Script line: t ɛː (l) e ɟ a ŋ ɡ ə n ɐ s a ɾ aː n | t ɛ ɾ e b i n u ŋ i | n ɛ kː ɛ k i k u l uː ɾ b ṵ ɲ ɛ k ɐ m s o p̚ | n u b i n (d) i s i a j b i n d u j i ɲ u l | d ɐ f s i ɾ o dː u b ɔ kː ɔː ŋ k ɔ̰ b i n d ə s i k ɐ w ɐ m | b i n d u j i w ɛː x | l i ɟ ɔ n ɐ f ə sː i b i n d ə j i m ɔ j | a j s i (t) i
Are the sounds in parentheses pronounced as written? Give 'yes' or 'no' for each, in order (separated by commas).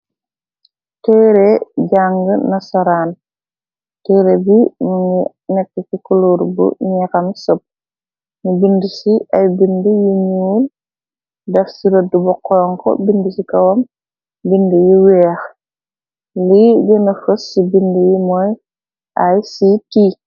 no, yes, yes